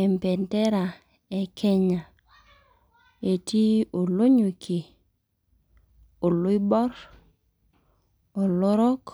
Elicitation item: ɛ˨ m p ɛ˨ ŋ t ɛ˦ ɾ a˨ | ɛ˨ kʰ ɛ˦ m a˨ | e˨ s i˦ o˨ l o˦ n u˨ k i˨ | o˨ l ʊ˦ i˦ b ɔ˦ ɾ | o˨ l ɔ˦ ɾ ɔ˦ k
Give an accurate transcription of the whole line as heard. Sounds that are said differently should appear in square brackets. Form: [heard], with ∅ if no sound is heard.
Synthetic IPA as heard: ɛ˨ m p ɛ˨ [n] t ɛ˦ ɾ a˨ | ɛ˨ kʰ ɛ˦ [ɲ] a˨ | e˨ [t] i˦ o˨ l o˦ [ɲ] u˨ k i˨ | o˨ l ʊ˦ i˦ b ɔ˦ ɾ | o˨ l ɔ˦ ɾ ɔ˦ k